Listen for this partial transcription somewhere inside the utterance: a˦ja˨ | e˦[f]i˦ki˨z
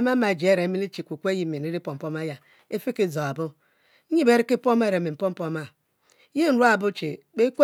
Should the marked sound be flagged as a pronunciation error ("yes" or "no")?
no